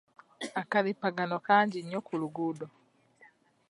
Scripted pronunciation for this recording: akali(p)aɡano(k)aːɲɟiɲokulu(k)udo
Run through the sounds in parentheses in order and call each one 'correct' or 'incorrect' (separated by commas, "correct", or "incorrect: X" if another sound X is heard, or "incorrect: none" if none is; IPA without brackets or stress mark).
correct, correct, incorrect: ɡ